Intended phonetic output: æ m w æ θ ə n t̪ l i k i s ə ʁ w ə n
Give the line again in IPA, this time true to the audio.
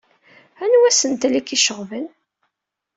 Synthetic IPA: æ n w æ s ə n t̪ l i k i ʃ ə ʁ v ə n